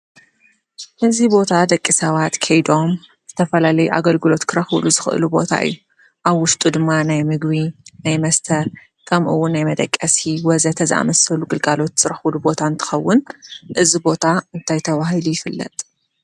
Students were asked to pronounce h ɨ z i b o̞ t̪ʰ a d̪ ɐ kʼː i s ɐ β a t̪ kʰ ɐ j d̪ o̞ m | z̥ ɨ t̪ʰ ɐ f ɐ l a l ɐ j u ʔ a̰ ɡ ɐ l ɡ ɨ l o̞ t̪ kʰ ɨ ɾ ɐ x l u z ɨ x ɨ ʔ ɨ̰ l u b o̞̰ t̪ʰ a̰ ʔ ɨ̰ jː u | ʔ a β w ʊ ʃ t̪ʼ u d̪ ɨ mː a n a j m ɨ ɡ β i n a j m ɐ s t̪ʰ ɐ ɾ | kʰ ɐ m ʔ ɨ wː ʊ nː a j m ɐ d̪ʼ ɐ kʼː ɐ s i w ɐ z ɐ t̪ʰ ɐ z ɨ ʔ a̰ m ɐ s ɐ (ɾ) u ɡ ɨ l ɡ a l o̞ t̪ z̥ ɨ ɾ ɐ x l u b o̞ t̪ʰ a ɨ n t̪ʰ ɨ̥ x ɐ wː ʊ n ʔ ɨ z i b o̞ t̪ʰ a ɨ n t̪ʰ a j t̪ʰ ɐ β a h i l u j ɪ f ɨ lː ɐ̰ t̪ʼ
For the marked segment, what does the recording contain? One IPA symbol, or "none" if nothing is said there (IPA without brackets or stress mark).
l